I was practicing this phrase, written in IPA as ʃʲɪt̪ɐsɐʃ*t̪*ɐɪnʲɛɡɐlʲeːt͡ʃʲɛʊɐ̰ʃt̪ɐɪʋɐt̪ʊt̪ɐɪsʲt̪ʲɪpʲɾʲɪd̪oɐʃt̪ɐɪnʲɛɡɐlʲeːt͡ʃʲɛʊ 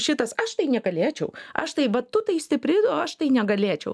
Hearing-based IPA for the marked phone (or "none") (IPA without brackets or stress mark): t̪